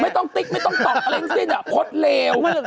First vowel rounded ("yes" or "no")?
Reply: no